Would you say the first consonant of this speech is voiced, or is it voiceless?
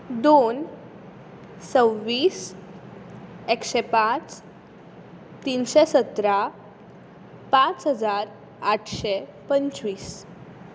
voiced